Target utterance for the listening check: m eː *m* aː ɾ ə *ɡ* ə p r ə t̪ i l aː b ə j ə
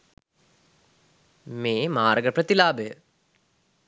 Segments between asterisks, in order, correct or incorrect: correct, correct

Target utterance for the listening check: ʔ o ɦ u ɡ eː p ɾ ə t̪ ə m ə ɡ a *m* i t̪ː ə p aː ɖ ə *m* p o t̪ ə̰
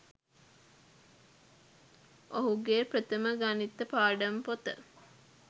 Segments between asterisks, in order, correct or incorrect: incorrect, correct

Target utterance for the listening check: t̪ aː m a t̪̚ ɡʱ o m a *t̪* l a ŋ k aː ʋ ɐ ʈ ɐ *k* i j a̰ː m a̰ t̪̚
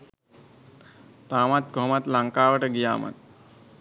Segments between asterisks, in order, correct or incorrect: correct, incorrect

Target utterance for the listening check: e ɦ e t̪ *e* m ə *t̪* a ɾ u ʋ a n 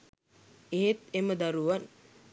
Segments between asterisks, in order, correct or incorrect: correct, incorrect

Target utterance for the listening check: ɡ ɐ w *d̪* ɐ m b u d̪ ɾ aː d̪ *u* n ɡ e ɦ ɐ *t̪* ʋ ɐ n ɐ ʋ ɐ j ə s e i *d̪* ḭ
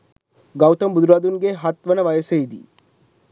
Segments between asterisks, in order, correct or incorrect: incorrect, correct, correct, correct

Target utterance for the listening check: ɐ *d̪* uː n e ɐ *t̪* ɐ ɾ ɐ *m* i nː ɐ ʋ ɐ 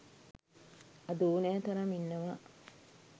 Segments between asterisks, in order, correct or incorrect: correct, correct, correct

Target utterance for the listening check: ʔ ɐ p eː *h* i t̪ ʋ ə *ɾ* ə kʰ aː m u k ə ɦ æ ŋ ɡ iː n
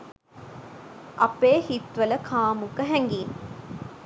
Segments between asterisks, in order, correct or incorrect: correct, incorrect

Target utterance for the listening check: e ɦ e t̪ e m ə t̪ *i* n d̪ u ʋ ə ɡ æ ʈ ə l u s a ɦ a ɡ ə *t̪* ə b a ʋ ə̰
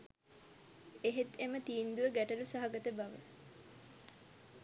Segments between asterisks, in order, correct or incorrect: incorrect, correct

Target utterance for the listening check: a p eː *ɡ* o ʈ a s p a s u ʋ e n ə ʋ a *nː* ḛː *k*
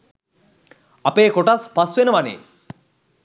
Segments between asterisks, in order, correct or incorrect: incorrect, incorrect, incorrect

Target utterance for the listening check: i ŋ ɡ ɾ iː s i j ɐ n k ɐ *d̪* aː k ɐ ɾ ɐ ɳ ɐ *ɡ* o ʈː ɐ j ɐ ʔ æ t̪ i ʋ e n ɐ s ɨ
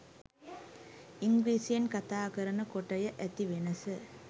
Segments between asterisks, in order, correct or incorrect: incorrect, incorrect

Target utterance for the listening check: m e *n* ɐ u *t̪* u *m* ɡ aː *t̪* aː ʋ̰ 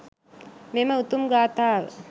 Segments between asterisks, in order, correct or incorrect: incorrect, correct, correct, correct

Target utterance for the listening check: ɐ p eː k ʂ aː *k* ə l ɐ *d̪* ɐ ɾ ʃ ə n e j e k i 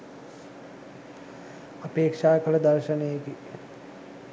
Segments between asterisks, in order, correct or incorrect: correct, correct

